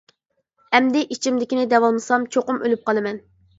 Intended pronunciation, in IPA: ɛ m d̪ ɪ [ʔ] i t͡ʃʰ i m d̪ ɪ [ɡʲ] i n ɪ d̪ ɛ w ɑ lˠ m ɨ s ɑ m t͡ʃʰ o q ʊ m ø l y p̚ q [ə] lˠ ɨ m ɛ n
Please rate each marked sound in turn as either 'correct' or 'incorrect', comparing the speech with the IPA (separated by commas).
correct, incorrect, incorrect